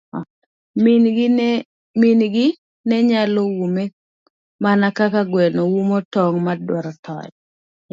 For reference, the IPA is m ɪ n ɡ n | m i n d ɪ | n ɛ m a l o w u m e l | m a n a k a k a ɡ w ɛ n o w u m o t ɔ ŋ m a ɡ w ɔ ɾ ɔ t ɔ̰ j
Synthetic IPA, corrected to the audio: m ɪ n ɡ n | m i n ɡ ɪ | n ɛ ɲ a l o w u m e | m a n a k a k a ɡ w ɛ n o w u m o t ɔ ŋ m a d w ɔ ɾ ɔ t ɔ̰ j